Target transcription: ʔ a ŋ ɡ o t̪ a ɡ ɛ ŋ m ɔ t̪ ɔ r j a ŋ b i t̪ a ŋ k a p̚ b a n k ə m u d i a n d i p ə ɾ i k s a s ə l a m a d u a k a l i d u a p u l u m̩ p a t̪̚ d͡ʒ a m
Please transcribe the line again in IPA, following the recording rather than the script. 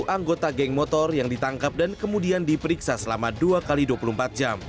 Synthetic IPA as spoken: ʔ a ŋ ɡ o t̪ a ɡ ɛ ŋ m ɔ t̪ ɔ r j a ŋ d i t̪ a ŋ k a p̚ d a n k ə m u d i a n d i p ə ɾ i k s a s ə l a m a d u a k a l i d u a p u l u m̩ p a t̪̚ d͡ʒ a m